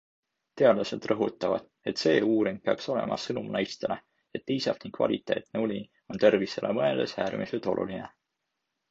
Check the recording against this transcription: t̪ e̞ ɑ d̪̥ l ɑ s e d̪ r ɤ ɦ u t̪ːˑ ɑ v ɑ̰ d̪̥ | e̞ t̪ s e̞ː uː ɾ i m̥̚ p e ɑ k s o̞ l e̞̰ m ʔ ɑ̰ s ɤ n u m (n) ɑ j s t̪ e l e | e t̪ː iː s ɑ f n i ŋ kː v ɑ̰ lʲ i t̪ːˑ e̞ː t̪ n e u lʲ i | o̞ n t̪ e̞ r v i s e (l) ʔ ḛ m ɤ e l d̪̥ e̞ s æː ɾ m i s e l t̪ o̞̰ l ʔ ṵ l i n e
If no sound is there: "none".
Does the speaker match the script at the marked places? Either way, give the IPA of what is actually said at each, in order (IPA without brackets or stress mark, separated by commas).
n, l